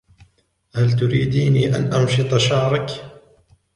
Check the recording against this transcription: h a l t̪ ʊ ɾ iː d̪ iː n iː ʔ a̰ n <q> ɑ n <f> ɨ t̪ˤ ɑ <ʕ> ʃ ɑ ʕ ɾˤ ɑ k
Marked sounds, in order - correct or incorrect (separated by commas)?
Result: incorrect, incorrect, incorrect